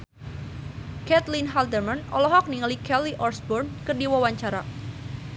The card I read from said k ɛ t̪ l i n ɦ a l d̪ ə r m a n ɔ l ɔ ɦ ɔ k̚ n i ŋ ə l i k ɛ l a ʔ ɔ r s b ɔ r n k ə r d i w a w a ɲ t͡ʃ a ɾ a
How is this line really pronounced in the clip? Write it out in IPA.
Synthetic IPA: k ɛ t̪ l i n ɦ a l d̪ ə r m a n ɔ l ɔ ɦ ɔ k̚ n i ŋ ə l i k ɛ l i ʔ ɔ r s b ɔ r n k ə r d i w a w a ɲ t͡ʃ a ɾ a